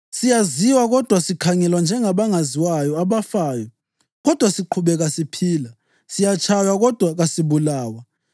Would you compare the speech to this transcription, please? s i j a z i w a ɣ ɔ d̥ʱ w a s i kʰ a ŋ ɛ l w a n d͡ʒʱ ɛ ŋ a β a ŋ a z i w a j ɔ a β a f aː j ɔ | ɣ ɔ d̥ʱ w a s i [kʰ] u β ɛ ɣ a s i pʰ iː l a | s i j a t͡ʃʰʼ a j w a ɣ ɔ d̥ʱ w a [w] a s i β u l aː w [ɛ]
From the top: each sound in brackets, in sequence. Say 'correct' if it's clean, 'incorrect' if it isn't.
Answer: incorrect, incorrect, incorrect

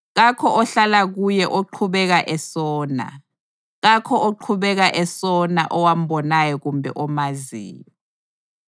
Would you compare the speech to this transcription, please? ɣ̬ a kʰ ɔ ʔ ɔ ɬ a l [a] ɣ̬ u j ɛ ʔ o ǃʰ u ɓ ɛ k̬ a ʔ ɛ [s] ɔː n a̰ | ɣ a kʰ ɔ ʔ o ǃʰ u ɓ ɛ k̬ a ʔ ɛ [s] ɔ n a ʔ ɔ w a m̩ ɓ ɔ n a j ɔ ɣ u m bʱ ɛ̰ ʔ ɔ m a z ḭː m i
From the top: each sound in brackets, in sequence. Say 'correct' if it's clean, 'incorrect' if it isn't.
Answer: correct, correct, correct

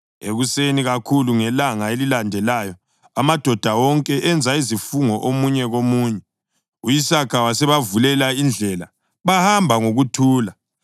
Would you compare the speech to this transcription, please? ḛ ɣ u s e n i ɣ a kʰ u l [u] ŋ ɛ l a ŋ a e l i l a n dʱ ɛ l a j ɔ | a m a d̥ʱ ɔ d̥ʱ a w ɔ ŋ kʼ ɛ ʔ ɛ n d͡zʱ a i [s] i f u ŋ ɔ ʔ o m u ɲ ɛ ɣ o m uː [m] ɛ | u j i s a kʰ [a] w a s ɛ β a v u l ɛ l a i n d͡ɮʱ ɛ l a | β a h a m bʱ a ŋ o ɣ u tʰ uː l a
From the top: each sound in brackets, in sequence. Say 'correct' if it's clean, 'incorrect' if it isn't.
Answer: correct, incorrect, incorrect, correct

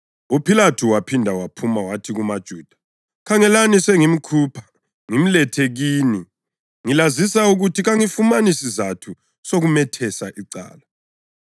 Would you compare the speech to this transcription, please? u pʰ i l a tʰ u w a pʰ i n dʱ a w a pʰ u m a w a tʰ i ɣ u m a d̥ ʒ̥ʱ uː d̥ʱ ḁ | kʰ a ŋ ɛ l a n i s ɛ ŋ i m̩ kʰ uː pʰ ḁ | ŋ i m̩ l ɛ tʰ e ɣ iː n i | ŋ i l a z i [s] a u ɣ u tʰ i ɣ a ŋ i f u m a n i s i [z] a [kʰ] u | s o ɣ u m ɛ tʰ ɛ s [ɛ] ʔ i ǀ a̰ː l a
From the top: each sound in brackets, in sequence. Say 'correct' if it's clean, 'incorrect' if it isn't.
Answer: correct, correct, incorrect, incorrect

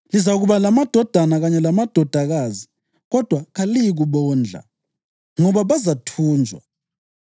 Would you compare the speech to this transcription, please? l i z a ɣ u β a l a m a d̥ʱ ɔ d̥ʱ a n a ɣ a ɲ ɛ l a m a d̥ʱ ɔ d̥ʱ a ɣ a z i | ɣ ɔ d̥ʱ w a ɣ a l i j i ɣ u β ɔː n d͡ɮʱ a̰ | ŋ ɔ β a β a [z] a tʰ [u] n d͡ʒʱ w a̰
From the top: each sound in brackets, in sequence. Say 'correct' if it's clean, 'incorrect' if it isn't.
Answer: correct, incorrect

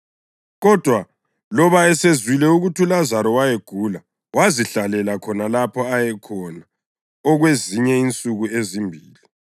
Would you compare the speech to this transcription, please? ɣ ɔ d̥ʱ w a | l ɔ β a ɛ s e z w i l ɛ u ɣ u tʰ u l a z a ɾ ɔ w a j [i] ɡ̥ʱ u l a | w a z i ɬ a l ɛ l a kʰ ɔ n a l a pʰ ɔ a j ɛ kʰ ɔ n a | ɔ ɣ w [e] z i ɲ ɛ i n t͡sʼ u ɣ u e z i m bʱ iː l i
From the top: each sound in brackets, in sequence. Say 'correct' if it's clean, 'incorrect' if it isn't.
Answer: incorrect, correct

